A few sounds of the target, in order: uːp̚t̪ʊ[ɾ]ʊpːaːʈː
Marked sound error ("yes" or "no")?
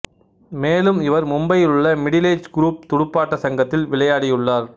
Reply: yes